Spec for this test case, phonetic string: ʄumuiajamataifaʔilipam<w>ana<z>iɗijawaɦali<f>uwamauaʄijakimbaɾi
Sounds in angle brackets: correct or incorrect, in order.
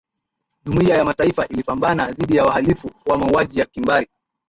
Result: incorrect, incorrect, correct

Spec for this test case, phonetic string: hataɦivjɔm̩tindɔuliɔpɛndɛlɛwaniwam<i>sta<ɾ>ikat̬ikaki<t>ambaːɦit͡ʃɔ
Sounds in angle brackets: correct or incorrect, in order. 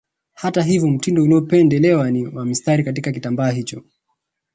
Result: correct, correct, correct

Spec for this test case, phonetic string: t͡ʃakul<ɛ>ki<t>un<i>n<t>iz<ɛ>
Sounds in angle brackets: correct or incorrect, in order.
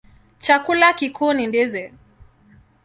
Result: incorrect, incorrect, correct, incorrect, correct

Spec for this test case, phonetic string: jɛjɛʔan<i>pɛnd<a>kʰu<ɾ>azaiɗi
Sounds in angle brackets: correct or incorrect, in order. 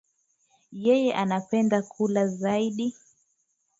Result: incorrect, correct, incorrect

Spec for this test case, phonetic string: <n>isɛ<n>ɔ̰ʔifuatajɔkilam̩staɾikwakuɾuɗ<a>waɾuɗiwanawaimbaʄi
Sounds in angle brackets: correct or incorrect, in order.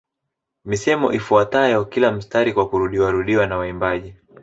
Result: incorrect, incorrect, incorrect

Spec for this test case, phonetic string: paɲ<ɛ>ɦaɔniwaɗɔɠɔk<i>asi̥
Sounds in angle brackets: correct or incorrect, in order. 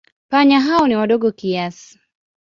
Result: incorrect, correct

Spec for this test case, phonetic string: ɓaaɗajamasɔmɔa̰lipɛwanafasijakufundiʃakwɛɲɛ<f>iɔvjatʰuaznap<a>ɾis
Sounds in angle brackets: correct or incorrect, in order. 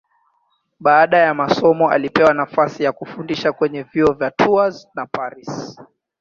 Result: incorrect, correct

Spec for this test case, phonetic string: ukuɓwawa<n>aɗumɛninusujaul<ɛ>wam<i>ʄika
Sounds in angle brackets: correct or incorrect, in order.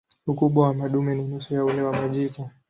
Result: incorrect, correct, incorrect

